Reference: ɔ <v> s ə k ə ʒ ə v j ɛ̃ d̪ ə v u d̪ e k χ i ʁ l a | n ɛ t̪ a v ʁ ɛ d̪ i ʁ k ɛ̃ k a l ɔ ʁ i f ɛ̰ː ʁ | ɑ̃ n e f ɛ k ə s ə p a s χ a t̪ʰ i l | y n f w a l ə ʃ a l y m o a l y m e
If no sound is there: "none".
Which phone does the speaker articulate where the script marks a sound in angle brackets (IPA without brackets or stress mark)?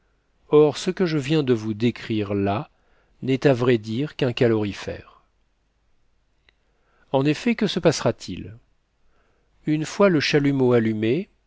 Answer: ʁ